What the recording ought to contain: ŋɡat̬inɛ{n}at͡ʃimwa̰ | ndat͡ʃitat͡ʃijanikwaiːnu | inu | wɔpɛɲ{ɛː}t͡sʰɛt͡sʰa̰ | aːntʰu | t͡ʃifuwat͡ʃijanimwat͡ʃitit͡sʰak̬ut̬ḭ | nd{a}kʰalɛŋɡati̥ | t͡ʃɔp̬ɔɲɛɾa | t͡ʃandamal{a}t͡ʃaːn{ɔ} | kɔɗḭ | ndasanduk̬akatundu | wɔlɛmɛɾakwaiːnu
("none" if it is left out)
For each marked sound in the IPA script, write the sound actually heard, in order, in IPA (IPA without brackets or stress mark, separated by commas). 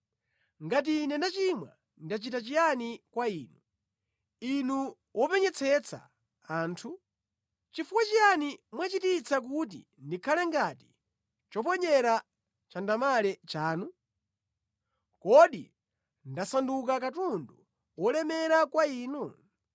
n, ɛ, i, ɛ, u